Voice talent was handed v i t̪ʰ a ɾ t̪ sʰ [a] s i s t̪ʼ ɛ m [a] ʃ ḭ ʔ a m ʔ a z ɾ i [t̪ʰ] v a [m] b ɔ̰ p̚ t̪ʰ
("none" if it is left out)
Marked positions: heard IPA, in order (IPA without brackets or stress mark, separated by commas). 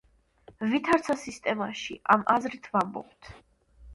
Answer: a, a, t̪ʰ, m